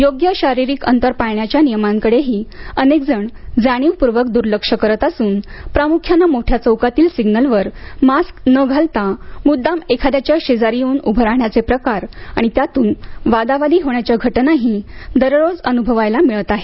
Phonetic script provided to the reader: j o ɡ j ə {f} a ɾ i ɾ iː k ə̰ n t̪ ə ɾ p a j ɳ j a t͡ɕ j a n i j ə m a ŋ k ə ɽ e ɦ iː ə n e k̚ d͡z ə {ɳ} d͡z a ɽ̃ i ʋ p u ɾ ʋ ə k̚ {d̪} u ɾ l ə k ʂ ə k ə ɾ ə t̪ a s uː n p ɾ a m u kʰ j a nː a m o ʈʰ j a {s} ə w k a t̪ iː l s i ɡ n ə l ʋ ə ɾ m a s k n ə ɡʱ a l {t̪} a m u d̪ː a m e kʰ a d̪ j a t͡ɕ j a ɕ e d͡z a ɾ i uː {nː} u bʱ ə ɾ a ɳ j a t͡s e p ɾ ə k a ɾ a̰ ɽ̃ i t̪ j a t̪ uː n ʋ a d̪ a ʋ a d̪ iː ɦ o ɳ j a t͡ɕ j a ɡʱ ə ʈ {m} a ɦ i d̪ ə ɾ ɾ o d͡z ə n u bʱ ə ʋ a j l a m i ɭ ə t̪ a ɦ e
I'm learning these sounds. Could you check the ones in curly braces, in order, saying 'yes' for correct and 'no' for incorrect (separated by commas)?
no, yes, yes, no, yes, no, no